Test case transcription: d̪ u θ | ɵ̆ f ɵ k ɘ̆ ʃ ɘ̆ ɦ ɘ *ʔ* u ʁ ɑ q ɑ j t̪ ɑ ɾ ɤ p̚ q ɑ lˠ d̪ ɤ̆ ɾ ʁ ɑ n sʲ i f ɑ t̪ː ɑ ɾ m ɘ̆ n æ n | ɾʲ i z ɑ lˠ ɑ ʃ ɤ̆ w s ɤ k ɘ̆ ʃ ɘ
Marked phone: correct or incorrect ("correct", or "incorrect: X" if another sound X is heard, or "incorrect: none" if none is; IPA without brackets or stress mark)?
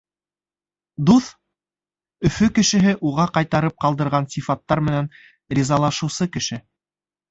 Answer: correct